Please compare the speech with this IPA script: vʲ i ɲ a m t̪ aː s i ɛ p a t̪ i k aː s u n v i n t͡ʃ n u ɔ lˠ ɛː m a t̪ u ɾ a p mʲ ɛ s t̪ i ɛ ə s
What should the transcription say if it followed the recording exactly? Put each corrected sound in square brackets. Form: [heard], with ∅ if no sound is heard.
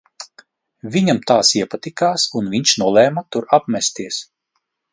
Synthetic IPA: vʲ i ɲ a m t̪ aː s i ɛ p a t̪ i k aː s u n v i [ɲ] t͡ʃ n u ɔ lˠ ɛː m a t̪ u ɾ a p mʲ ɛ s t̪ i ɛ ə s